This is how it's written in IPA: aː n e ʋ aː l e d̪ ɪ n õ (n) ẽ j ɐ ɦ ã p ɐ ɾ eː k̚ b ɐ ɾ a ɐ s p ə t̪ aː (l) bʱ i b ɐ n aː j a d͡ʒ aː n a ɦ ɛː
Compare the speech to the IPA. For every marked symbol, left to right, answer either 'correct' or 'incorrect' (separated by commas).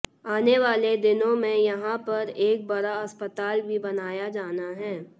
incorrect, correct